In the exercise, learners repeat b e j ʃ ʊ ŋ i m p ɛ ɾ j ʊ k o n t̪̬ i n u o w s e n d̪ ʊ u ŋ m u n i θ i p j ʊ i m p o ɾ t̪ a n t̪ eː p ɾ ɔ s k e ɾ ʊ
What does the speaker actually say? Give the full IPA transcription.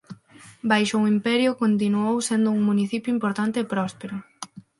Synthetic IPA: b a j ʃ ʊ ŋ i m p ɛ ɾ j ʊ k o n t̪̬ i n u o w s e n d̪ ʊ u ŋ m u n i θ i p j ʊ i m p o ɾ t̪ a n t̪ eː p ɾ ɔ s p e ɾ ʊ